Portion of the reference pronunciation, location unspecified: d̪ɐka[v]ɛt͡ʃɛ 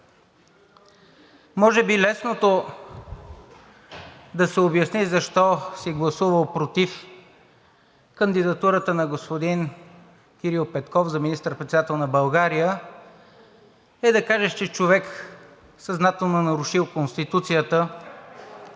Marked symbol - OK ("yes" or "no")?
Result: no